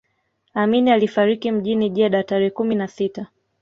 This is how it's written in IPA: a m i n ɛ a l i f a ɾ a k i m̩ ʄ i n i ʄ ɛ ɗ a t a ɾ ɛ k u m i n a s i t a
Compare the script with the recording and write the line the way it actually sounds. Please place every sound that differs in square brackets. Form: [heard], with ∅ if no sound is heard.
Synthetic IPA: a m i n [i] a l i f a ɾ [i] k i m̩ ʄ i n i ʄ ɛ ɗ a t a ɾ ɛ k u m i n a s i t a